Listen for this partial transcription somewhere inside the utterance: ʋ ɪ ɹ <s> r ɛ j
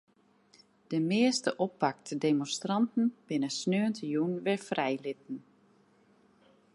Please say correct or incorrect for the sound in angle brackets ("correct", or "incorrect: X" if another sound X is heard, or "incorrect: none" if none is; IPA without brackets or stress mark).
incorrect: f